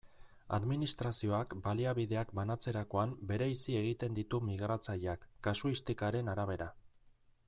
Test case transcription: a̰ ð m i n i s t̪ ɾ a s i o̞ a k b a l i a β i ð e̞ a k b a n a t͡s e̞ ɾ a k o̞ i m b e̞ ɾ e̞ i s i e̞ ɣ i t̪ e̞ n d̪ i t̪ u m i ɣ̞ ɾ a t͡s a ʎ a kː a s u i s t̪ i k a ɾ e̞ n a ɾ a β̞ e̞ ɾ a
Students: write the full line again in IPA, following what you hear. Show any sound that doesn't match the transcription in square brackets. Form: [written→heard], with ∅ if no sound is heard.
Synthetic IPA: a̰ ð m i n i s t̪ ɾ a s i o̞ a k b a l i a β i ð e̞ a k b a n a t͡s e̞ ɾ a k o̞ [i→a] m b e̞ ɾ e̞ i s i e̞ ɣ i t̪ e̞ n d̪ i t̪ u m i ɣ̞ ɾ a t͡s a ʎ a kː a s u i s t̪ i k a ɾ e̞ n a ɾ a β̞ e̞ ɾ a

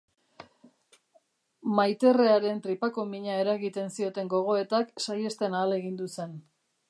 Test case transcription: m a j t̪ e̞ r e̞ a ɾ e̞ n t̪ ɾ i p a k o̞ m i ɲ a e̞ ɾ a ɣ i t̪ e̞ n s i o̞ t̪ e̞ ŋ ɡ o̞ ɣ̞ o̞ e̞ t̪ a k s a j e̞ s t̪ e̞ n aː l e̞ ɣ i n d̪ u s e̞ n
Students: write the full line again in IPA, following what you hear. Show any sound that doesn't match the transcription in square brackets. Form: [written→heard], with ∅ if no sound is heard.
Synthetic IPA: m a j t̪ e̞ r e̞ a ɾ e̞ n t̪ ɾ i p a k o̞ m i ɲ a e̞ ɾ a ɣ i t̪ e̞ n s i o̞ t̪ e̞ ŋ ɡ o̞ ɣ̞ o̞ e̞ t̪ a k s a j e̞ s t̪ e̞ n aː l e̞ ɣ i n d̪ u s e̞ n

